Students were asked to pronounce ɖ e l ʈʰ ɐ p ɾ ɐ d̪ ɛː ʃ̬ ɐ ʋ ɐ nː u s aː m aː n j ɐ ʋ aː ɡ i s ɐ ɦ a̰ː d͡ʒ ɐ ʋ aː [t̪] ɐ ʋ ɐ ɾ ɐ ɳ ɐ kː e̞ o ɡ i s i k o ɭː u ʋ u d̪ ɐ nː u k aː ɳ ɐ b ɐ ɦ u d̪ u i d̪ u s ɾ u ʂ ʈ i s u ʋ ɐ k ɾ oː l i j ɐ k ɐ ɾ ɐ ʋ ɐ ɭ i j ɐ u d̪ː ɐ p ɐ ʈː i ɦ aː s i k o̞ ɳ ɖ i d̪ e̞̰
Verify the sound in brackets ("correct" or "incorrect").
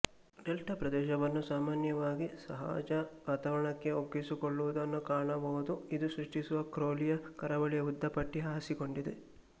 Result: correct